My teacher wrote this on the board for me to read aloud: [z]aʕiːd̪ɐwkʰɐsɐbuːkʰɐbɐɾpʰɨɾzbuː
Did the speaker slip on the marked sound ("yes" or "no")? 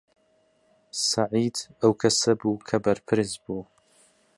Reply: yes